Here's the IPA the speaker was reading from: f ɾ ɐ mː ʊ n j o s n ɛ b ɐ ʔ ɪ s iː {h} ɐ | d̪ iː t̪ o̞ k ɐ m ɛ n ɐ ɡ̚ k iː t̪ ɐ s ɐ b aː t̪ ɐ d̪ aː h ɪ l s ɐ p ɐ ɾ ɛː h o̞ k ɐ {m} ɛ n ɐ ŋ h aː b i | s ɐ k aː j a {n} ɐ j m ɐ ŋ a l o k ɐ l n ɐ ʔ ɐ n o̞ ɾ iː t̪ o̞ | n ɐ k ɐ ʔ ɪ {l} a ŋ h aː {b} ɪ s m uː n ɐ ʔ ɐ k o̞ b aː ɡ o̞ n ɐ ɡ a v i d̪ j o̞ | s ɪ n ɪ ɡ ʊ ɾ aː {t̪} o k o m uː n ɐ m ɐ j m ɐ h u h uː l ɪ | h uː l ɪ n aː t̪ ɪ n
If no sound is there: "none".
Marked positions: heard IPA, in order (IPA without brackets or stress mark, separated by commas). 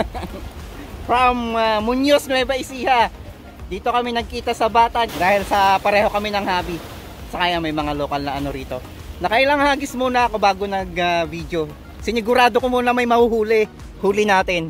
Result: h, m, m, l, ɡ, d̪